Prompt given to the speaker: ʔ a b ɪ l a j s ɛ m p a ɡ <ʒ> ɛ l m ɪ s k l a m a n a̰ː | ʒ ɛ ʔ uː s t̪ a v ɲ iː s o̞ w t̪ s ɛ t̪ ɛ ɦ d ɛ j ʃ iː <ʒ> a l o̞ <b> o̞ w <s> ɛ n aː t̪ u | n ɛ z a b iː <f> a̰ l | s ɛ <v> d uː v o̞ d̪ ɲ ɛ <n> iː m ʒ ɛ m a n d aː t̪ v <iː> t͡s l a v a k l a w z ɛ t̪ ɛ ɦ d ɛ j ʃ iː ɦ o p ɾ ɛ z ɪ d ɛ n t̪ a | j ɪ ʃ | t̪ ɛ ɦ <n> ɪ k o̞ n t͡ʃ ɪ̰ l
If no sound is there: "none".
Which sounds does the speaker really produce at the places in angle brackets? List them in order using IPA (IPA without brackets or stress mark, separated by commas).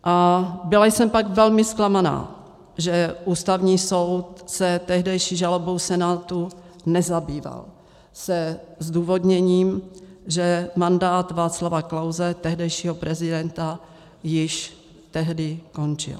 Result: v, ʒ, b, s, v, z, ɲ, aː, d